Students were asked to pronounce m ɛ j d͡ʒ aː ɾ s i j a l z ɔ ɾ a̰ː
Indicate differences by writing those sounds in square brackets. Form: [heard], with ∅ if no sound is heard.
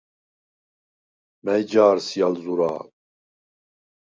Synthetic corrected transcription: m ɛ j d͡ʒ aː ɾ s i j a l z [u] ɾ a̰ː